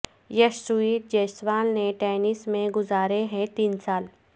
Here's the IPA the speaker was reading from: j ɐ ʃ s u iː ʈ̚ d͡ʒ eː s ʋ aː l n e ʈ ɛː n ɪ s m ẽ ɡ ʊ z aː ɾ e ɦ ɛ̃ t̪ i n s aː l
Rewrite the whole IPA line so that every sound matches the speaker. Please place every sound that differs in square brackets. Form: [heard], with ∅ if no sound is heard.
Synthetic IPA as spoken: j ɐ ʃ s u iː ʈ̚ d͡ʒ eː s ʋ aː l n e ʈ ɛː n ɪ s m ẽ ɡ ʊ z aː ɾ e ɦ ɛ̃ t̪ [iː] n s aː l